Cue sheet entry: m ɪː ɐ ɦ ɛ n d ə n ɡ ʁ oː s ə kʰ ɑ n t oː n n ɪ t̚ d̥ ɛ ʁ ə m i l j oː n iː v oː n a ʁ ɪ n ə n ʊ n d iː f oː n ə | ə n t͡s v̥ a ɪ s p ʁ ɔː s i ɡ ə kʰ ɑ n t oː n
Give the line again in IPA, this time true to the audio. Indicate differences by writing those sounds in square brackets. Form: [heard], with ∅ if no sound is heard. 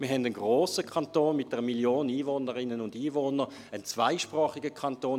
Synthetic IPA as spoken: m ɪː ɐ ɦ ɛ n d ə n ɡ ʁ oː s ə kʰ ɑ n t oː n [m] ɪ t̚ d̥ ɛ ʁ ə m i l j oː n iː v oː n [ə] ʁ ɪ n ə n ʊ n d iː [v] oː n ə | ə n t͡s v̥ a ɪ [ʃ] p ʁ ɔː [χ] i ɡ ə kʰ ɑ n t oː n